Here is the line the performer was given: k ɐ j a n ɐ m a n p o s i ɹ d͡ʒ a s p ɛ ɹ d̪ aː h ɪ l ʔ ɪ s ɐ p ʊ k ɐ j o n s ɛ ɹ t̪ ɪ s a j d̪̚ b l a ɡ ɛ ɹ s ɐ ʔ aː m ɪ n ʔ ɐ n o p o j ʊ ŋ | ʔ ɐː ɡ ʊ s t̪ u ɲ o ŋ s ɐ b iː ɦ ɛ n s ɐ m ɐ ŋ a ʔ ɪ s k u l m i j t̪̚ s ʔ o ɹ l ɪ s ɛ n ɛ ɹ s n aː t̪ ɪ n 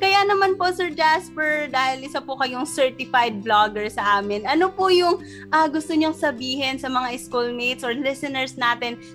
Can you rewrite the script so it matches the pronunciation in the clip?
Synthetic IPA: k ɐ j a n ɐ m a n p o s ɛ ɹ d͡ʒ a s p ɛ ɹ d̪ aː h ɪ l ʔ ɪ s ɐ p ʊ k ɐ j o ŋ s ɛ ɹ t̪ ɪ f a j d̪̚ b l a ɡ ɛ ɹ s ɐ ʔ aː m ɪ n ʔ ɐ n o p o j ʊ ŋ | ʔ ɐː ɡ ʊ s t̪ o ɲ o ŋ s ɐ b iː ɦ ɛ n s ɐ m ɐ ŋ a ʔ ɪ s k u l m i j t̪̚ s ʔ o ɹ l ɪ s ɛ n ɛ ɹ s n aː t̪ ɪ n